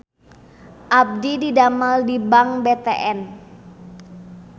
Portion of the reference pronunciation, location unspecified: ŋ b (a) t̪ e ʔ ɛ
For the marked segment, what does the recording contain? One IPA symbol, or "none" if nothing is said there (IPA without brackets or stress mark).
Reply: e